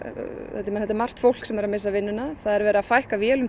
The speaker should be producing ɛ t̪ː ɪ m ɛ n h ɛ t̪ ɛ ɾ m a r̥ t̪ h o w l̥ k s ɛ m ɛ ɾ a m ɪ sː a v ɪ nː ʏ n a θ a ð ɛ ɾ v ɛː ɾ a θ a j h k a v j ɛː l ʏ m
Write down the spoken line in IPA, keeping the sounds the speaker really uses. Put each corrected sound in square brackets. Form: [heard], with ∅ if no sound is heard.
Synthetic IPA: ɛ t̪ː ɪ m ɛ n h ɛ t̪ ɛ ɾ m a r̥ t̪ [f] o w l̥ k s ɛ m ɛ ɾ a m ɪ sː a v ɪ nː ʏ n a θ a ð ɛ ɾ v ɛː ɾ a [f] a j h k a v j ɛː l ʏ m